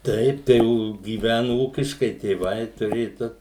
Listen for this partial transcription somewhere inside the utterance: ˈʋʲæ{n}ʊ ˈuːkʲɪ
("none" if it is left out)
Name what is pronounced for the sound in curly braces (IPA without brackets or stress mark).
n